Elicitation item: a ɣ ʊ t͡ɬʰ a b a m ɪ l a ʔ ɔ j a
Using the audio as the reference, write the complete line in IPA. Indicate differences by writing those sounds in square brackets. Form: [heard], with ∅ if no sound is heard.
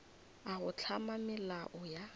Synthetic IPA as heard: a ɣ ʊ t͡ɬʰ a [m] a m ɪ l a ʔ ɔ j a